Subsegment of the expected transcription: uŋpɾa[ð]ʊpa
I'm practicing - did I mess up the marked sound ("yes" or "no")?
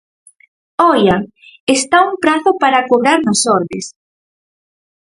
yes